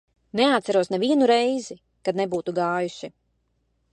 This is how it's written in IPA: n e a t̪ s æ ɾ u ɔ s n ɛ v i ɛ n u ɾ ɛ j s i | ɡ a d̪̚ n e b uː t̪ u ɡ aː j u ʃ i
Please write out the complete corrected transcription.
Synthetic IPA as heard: n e a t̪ s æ ɾ u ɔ s n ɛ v i ɛ n u ɾ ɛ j z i | k a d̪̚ n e b uː t̪ u ɡ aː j u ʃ i